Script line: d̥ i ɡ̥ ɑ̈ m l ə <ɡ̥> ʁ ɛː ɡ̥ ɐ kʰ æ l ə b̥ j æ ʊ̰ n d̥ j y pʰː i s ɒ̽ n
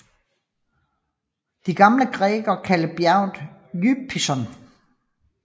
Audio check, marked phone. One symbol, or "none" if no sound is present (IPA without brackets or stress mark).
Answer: ɡ̥